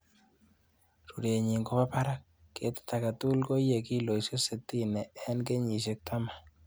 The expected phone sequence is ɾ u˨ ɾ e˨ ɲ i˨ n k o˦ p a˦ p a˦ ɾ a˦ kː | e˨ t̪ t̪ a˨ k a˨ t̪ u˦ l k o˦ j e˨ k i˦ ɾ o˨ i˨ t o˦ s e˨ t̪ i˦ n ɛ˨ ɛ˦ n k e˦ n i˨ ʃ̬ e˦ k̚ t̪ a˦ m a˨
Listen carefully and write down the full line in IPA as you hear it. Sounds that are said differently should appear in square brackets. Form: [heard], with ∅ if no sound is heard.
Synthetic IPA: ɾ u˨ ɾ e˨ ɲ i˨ [ŋ] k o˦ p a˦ p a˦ ɾ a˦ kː | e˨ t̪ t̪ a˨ k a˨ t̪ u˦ l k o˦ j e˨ k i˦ [l] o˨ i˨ [s] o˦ s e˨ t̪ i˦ n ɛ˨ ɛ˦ n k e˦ [ɲ] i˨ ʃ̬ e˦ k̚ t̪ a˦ m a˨